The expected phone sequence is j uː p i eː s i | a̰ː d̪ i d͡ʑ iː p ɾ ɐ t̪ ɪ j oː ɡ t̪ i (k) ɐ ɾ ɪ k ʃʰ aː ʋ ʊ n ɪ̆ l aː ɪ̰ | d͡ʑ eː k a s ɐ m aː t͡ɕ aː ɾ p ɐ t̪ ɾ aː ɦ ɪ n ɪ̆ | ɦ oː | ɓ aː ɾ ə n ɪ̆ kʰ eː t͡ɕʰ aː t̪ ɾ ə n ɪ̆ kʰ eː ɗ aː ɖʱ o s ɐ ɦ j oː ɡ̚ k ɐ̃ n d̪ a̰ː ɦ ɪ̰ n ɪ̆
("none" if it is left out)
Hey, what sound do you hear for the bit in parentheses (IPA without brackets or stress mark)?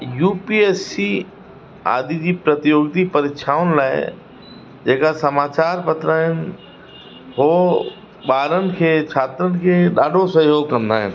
p